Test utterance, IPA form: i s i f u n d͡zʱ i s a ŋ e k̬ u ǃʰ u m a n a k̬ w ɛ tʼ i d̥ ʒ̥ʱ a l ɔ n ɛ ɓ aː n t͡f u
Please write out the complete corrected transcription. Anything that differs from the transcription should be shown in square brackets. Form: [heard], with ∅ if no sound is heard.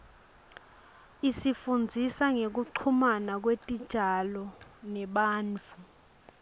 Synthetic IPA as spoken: i s i f u n d͡zʱ i s a ŋ e k̬ u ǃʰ u m a n a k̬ w [e] tʼ i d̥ ʒ̥ʱ a l ɔ n ɛ ɓ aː n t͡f u